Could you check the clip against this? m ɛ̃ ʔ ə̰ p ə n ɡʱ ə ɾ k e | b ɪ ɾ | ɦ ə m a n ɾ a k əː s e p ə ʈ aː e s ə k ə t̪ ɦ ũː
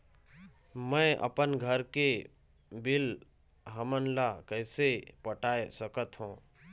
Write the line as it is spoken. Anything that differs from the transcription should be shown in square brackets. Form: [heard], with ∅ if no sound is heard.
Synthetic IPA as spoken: m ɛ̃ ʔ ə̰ p ə n ɡʱ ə ɾ k e | b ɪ [l] | ɦ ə m [ə] n [l] a k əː s e p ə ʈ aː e s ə k ə t̪ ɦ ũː

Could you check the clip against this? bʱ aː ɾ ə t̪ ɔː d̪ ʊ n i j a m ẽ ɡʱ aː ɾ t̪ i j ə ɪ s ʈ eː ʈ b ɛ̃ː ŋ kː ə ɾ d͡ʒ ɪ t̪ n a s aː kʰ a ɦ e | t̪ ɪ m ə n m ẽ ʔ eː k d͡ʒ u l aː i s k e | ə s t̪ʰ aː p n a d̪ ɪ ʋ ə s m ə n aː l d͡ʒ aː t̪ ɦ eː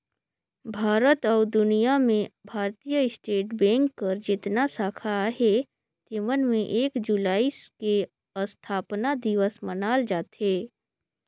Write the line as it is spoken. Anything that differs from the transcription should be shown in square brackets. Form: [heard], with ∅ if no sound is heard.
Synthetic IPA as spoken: bʱ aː ɾ ə t̪ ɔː d̪ ʊ n i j a m ẽ [bʱ] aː ɾ t̪ i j ə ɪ s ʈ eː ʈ b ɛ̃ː ŋ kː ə ɾ d͡ʒ ɪ t̪ n a s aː kʰ a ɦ e | t̪ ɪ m ə n m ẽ ʔ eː k d͡ʒ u l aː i s k e | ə s t̪ʰ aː p n a d̪ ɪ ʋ ə s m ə n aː l d͡ʒ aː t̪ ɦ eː

